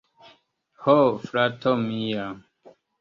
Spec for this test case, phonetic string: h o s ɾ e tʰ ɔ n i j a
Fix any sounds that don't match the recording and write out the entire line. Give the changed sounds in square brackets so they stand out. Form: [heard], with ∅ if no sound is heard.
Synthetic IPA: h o [f] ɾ [a] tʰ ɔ [m] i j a